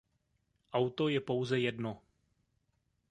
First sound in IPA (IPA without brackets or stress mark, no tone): ʔ